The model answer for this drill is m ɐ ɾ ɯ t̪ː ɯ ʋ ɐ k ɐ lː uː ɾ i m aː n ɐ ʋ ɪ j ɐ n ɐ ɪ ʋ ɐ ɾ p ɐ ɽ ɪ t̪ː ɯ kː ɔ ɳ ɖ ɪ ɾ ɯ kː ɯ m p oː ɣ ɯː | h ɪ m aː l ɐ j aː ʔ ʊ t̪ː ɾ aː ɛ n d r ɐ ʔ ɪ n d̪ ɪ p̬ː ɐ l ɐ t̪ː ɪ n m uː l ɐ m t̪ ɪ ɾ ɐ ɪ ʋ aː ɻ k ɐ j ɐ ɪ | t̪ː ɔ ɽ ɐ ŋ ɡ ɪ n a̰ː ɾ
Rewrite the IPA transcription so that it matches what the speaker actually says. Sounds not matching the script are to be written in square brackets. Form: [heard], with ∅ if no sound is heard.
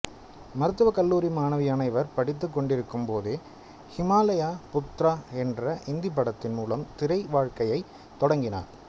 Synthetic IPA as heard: m ɐ ɾ ɯ t̪ː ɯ ʋ ɐ k ɐ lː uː ɾ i m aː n ɐ ʋ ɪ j ɐ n ɐ ɪ ʋ ɐ ɾ p ɐ ɽ ɪ t̪ː ɯ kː ɔ ɳ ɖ ɪ ɾ ɯ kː ɯ m p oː [ð] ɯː | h ɪ m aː l ɐ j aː [p] ʊ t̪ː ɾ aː ɛ n d r ɐ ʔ ɪ n d̪ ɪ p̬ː ɐ [ɽ] ɐ t̪ː ɪ n m uː l ɐ m t̪ ɪ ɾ ɐ ɪ ʋ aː ɻ k ɐ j ɐ ɪ | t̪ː ɔ ɽ ɐ ŋ ɡ ɪ n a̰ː ɾ